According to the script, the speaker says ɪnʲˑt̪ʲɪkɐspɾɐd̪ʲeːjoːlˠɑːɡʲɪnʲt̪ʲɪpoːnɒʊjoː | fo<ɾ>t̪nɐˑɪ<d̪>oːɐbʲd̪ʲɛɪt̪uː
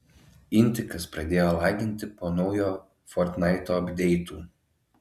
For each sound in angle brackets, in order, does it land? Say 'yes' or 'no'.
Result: yes, no

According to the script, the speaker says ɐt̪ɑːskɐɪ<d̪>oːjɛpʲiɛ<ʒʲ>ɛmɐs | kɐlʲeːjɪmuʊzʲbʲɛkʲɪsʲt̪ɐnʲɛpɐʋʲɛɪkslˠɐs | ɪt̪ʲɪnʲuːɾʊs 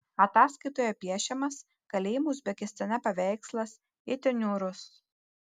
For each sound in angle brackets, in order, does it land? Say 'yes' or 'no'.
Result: no, no

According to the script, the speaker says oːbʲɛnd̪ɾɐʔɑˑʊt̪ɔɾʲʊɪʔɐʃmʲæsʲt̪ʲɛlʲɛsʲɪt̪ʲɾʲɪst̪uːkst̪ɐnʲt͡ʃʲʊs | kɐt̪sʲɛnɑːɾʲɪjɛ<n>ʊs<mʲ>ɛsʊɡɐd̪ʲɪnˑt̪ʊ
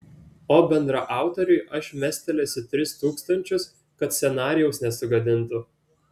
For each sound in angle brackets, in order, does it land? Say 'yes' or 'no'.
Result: no, no

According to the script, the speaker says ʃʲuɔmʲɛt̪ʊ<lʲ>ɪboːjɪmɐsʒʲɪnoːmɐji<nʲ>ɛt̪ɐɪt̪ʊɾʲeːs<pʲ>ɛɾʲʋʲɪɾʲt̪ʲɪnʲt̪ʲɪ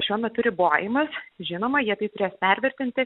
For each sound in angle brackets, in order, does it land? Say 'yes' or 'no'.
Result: no, no, yes

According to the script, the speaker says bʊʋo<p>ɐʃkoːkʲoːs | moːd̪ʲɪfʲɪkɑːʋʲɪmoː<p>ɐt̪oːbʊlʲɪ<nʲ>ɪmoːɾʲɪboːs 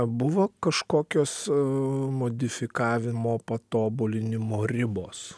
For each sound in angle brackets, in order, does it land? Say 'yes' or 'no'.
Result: no, yes, yes

